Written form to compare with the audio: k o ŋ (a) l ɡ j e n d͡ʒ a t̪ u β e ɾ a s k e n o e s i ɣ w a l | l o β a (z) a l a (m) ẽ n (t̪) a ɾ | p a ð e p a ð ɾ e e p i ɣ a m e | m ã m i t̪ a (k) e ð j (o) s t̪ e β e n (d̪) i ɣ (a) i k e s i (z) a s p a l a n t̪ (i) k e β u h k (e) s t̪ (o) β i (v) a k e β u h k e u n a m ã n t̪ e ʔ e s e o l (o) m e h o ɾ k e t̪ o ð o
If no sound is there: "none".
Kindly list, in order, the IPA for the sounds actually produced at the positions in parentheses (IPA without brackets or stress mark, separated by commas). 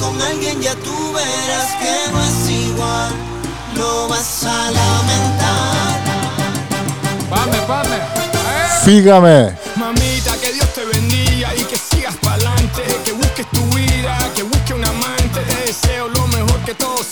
a, s, m, t̪, k, o, d̪, a, ɣ, e, e, u, ð, o